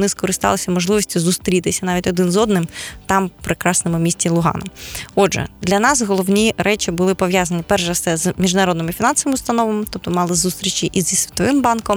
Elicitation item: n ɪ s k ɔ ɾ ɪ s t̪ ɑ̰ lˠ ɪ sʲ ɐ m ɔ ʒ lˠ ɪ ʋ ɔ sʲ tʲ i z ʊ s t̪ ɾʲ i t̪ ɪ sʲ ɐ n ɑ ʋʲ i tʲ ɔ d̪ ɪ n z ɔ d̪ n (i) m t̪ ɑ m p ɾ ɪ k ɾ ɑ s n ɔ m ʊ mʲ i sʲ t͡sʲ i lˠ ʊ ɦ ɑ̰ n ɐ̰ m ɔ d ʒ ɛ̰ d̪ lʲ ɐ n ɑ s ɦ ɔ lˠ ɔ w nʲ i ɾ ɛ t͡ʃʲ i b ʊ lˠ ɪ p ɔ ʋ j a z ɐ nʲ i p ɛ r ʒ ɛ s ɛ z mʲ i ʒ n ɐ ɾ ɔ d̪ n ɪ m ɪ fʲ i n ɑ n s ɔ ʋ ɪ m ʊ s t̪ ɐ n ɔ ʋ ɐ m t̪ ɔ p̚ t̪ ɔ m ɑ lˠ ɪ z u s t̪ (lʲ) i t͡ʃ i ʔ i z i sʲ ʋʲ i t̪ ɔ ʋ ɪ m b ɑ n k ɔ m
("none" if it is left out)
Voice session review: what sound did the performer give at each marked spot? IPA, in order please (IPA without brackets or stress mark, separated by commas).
ɪ, ɾʲ